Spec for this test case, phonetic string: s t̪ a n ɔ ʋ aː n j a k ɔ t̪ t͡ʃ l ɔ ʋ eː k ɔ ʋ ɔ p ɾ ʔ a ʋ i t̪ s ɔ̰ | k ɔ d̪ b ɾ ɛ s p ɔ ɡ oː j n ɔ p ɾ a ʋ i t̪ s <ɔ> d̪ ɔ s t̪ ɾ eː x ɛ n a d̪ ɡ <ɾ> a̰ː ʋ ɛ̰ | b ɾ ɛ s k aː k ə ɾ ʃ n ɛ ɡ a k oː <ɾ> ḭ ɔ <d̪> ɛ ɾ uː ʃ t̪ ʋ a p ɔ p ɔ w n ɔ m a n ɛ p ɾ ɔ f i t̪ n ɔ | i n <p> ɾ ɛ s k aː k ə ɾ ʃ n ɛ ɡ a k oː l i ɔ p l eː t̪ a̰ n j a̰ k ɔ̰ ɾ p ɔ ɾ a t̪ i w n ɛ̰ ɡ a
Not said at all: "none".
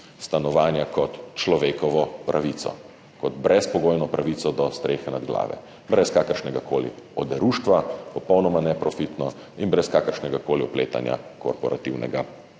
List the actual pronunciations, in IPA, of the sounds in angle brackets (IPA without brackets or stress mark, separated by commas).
ɔ, l, l, d̪, b